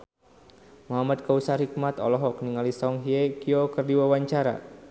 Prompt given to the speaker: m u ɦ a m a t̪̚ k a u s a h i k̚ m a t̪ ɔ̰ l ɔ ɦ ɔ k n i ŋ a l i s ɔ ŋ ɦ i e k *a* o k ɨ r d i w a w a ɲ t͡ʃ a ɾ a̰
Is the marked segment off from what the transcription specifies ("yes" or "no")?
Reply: yes